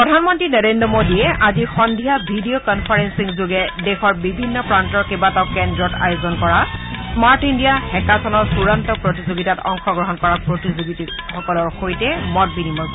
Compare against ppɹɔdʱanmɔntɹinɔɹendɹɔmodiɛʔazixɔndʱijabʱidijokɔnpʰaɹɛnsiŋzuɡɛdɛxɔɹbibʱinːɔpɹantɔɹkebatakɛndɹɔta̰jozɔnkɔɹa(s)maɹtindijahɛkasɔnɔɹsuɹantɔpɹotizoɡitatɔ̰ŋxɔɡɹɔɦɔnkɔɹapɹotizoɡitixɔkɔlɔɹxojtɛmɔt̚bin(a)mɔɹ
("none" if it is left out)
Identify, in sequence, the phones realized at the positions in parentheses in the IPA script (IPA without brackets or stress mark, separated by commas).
s, i